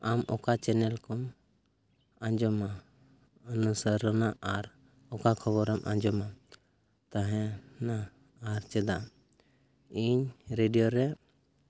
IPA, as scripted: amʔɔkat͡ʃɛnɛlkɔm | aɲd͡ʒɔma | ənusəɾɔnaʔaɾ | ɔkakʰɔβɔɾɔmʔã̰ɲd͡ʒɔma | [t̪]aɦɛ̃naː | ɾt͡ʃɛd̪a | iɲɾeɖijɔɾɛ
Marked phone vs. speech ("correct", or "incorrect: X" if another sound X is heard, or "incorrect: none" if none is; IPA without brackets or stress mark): correct